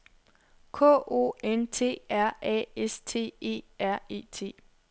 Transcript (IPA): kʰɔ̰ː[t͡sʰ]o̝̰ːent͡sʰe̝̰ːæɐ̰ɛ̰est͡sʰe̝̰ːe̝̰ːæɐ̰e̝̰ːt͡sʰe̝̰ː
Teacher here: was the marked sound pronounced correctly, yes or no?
no